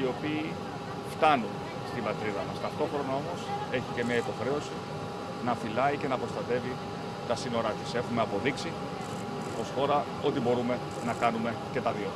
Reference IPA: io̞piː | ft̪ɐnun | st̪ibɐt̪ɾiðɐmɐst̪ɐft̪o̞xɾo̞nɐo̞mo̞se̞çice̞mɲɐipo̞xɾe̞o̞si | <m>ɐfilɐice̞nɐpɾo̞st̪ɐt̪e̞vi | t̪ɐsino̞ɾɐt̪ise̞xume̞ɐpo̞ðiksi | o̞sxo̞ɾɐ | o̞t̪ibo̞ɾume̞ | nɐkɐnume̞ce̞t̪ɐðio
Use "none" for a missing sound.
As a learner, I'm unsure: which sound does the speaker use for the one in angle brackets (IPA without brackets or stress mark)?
n